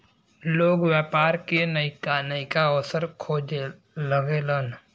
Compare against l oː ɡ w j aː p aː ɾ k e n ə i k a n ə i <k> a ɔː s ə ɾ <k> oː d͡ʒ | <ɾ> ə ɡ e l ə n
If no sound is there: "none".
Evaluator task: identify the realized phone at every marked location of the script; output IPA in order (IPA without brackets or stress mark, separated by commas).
k, kʰ, l